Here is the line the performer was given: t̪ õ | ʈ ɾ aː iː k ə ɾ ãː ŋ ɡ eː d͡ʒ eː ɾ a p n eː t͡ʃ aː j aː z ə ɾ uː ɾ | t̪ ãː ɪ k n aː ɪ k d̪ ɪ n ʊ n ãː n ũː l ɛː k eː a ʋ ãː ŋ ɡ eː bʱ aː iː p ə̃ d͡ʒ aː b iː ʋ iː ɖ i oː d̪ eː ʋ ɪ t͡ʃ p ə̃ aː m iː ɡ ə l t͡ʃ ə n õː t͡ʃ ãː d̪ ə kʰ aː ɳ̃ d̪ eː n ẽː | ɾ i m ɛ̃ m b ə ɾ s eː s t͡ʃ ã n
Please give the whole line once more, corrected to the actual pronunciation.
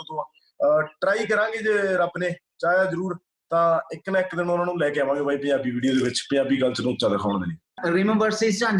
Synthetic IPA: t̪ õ | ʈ ɾ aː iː k ə ɾ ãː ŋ ɡ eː d͡ʒ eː ɾ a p n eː t͡ʃ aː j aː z ə ɾ uː ɾ | t̪ ãː ɪ k n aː ɪ k d̪ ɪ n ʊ n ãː n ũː l ɛː k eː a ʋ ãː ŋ ɡ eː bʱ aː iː p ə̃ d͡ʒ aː b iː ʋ iː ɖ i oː d̪ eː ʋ ɪ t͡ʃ p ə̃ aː b iː ɡ ə l t͡ʃ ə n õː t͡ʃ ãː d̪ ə kʰ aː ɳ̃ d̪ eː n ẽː | ɾ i m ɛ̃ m b ə ɾ s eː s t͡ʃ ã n